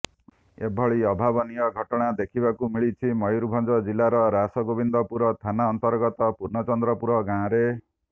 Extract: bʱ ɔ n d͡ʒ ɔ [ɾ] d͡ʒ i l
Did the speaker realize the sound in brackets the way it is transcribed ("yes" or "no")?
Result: no